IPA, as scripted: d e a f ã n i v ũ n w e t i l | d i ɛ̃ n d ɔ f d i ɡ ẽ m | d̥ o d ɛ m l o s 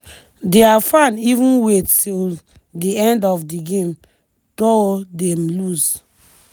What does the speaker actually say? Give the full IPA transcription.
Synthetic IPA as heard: d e a f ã n i v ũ n w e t i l | d i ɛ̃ n d ɔ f d i ɡ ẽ m | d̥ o d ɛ m l u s